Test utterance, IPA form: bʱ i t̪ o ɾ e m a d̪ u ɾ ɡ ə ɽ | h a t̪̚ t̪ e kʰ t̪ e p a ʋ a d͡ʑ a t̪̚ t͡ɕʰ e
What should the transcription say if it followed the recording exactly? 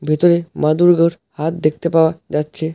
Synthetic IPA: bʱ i t̪ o ɾ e m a d̪ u ɾ ɡ ə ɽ | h a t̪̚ d̪ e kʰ t̪ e p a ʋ a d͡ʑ a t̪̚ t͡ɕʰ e